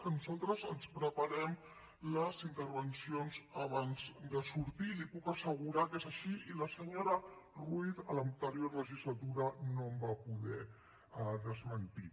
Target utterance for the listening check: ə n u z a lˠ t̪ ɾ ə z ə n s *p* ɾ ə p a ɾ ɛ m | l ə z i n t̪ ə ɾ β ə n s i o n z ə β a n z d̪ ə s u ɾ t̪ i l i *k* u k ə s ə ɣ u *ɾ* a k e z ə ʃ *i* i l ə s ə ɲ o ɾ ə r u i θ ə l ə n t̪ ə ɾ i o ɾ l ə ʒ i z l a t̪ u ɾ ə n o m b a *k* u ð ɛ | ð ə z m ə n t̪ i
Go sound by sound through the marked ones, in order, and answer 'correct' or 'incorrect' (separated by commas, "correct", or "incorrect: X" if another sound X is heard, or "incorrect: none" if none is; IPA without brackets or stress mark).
correct, incorrect: p, correct, correct, incorrect: p